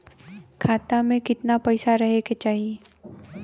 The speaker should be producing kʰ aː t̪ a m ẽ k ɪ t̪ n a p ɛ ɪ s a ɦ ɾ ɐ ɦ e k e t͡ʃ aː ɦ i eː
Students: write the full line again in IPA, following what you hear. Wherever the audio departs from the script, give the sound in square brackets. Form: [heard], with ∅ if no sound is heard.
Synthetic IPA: kʰ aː t̪ a m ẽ k ɪ t̪ n a p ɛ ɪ s a [∅] ɾ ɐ ɦ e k e t͡ʃ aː ɦ i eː